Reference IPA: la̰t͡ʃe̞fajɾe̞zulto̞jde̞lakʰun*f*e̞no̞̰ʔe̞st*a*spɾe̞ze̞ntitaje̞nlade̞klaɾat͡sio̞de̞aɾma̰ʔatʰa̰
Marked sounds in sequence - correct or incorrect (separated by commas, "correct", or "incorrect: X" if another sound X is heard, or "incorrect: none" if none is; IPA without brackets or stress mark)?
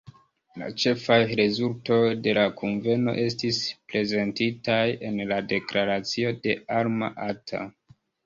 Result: incorrect: v, incorrect: i